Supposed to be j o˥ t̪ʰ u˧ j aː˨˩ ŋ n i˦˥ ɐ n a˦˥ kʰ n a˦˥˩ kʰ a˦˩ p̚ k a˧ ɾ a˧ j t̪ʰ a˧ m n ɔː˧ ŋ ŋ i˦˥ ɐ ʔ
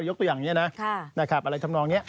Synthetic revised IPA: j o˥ t̪ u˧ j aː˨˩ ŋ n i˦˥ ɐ n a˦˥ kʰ n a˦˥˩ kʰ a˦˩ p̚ ʔ a˧ ɾ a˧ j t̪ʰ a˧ m n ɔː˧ ŋ n i˦˥ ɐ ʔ